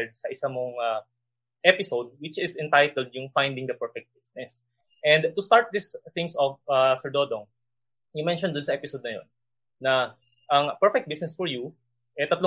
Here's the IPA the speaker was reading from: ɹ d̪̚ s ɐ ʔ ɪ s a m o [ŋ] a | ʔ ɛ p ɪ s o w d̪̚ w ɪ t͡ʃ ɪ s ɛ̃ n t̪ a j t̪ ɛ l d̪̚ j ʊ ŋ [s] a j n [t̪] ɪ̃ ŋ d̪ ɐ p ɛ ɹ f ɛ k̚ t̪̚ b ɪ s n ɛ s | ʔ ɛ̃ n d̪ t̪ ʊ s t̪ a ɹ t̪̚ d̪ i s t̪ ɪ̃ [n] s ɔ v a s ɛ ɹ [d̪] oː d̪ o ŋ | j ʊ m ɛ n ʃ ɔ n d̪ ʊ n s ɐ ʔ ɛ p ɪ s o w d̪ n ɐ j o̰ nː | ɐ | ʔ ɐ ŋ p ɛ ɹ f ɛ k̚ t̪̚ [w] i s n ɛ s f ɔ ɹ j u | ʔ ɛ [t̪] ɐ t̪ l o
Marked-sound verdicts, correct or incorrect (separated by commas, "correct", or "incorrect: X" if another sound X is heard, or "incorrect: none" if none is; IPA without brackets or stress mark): correct, incorrect: f, incorrect: d̪, incorrect: ŋ, correct, incorrect: b, correct